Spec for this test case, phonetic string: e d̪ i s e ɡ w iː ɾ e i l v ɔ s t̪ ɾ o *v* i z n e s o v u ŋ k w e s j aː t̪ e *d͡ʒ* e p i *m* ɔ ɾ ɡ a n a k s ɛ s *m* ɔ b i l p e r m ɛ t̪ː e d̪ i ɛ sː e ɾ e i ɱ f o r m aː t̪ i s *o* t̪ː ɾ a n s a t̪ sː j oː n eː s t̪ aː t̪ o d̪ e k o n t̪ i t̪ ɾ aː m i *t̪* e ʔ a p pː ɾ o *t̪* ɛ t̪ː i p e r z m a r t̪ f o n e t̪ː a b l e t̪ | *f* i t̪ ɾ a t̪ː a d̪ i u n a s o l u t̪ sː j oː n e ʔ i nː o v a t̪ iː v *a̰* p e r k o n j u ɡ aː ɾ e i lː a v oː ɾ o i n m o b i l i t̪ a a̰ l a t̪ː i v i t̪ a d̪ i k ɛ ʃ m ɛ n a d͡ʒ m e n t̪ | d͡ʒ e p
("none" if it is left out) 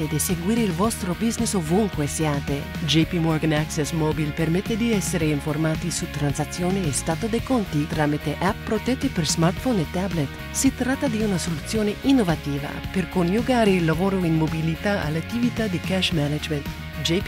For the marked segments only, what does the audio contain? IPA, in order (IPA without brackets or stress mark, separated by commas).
b, d͡ʒ, m, m, u, t̪, t̪, s, a̰